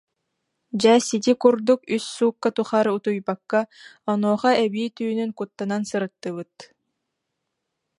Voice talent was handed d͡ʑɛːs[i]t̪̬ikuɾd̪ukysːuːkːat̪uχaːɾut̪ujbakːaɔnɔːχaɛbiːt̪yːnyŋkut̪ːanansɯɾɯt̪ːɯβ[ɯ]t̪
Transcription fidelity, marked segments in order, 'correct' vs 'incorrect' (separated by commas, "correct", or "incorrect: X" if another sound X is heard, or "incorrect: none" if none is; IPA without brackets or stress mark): correct, correct